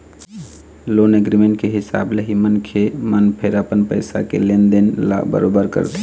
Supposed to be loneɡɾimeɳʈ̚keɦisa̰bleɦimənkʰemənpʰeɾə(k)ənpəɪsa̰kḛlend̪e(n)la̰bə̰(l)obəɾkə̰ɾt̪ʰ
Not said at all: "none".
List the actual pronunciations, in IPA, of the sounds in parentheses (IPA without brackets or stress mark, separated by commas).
p, n, ɾ